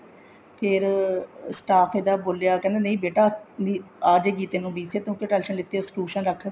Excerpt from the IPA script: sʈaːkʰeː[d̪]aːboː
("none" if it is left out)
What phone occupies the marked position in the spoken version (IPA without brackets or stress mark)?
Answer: d̪